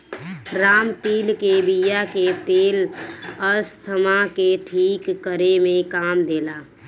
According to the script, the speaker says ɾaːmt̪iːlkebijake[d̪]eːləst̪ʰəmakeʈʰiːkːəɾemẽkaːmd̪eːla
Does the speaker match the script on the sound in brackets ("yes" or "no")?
no